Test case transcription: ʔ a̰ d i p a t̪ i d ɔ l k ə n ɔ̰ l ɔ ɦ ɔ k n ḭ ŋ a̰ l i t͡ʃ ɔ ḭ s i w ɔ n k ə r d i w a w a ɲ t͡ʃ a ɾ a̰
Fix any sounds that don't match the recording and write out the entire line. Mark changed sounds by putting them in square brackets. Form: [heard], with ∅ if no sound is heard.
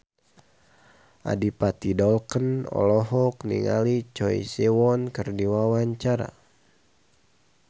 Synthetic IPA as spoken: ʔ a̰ d i p a t̪ i d ɔ l k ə n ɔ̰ l ɔ ɦ ɔ k n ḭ ŋ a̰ l i t͡ʃ ɔ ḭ s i w ɔ n k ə r d i w a w a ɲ t͡ʃ a ɾ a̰